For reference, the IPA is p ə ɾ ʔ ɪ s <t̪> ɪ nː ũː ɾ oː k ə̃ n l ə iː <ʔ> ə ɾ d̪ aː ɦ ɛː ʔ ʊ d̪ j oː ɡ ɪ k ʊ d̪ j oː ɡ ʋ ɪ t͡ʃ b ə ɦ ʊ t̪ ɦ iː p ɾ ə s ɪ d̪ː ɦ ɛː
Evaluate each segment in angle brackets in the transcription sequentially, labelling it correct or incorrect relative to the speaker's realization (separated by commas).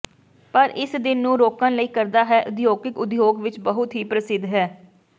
incorrect, incorrect